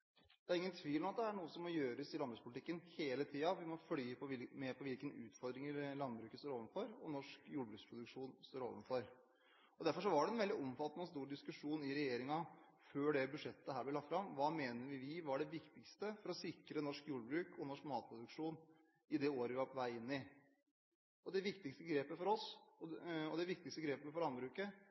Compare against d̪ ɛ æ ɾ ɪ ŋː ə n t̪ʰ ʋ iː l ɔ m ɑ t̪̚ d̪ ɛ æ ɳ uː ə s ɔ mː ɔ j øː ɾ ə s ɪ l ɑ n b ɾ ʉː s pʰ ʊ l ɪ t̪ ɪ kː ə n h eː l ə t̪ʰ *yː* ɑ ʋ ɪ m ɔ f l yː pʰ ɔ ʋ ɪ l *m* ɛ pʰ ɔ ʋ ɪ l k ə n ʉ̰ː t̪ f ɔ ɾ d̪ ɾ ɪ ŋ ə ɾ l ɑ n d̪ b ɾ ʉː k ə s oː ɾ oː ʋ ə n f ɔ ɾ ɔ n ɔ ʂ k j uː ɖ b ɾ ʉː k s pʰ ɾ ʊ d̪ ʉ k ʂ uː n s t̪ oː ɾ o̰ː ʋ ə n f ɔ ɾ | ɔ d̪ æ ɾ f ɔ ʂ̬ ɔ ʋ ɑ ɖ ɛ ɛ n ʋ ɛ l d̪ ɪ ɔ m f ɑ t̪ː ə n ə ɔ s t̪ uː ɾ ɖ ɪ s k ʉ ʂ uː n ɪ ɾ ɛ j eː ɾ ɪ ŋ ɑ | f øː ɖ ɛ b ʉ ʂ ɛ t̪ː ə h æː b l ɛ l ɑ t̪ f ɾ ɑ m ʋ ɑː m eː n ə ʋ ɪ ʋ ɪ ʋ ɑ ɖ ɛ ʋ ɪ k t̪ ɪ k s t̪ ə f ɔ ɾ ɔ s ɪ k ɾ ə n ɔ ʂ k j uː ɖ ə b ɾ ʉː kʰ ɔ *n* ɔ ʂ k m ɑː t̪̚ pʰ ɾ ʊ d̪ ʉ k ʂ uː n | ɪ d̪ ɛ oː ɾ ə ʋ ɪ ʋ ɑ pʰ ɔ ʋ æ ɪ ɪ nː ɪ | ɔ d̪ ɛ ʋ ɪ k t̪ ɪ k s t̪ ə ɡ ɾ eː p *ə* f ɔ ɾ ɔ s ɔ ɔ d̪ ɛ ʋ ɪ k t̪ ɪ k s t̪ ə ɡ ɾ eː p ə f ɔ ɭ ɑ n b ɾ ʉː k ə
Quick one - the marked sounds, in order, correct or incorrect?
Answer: incorrect, correct, correct, correct

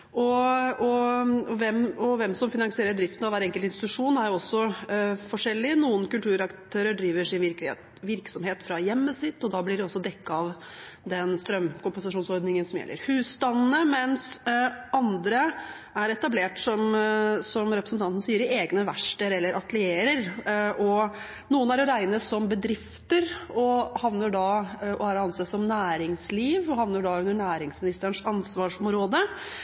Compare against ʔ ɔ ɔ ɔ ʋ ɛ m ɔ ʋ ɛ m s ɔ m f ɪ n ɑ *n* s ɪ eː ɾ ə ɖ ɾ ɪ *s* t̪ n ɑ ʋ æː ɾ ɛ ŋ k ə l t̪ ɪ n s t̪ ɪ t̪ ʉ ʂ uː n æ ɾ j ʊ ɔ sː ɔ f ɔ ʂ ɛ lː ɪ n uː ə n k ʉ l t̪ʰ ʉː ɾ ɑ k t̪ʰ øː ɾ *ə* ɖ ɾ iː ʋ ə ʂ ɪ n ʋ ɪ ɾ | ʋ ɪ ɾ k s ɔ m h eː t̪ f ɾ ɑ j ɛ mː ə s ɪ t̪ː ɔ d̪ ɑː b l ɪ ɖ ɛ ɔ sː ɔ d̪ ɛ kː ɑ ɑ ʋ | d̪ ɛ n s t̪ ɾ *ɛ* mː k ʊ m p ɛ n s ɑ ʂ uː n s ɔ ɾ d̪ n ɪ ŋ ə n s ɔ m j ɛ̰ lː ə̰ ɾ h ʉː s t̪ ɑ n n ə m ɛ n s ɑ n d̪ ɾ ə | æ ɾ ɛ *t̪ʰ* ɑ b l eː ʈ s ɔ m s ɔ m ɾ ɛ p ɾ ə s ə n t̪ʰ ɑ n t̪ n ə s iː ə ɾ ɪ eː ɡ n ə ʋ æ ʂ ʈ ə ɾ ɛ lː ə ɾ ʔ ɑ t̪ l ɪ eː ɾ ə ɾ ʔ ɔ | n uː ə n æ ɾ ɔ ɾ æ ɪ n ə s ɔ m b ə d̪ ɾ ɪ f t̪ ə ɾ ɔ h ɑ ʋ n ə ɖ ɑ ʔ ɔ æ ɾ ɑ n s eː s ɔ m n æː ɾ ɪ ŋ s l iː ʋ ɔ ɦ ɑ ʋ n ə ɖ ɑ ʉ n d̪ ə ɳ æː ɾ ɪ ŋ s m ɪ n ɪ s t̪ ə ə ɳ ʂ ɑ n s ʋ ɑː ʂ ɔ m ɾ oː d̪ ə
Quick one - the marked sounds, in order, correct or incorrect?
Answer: incorrect, incorrect, correct, incorrect, incorrect

